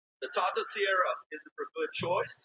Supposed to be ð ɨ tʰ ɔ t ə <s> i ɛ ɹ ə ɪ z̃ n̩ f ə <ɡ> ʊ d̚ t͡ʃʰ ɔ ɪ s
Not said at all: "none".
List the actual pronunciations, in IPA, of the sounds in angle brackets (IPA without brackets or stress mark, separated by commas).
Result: s, ɡ